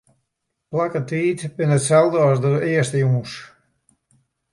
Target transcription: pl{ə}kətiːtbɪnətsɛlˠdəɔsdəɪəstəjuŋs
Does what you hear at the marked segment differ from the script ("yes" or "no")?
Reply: yes